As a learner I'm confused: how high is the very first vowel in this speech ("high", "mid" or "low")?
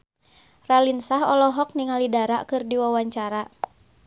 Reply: low